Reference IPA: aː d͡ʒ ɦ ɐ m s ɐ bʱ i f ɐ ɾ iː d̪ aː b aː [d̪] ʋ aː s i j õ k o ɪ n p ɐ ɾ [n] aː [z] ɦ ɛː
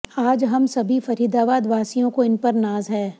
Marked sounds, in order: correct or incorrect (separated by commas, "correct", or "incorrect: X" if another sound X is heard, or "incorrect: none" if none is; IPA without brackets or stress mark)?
correct, correct, correct